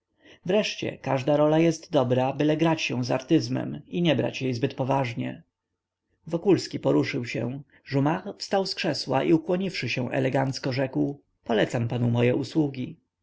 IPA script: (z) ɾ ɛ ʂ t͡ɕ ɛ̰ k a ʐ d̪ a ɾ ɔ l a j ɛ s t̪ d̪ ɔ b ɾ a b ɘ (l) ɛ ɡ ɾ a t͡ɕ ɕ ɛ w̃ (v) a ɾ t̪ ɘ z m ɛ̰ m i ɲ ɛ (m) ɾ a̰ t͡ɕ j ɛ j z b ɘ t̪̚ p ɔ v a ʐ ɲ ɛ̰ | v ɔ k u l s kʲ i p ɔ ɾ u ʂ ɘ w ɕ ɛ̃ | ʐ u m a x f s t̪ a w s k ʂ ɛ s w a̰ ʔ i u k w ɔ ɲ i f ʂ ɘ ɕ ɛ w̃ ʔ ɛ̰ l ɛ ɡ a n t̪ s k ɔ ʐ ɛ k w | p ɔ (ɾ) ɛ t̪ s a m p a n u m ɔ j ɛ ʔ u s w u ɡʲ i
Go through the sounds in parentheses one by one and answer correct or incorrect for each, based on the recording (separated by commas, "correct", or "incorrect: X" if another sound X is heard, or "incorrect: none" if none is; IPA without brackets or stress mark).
incorrect: v, correct, incorrect: z, incorrect: b, incorrect: l